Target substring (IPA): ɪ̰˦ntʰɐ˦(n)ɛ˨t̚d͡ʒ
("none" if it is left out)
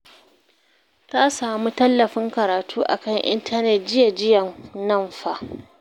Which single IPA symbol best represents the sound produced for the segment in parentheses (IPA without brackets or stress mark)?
n